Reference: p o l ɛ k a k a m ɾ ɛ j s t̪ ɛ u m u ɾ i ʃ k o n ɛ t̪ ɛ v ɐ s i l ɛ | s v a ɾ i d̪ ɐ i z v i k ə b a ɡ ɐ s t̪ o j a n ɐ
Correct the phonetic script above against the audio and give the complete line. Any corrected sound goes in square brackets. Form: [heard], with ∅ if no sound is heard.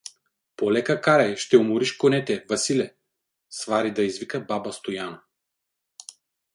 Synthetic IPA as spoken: p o l ɛ k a k a [∅] ɾ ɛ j [ʃ] t̪ ɛ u m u ɾ i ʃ k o n ɛ t̪ ɛ v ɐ s i l ɛ | s v a ɾ i d̪ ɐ i z v i k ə b a [b] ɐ s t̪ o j a n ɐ